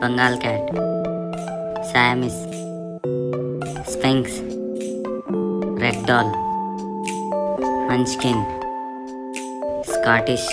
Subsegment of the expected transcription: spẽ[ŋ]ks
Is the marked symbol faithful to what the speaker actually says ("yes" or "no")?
yes